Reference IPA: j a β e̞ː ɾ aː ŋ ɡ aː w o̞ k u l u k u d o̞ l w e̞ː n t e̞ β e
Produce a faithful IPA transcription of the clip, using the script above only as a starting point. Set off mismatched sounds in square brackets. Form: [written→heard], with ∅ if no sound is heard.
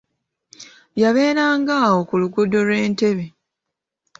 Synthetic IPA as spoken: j a β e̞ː ɾ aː ŋ ɡ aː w o̞ k u l u [k→ɡ] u d o̞ l w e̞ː n t e̞ β e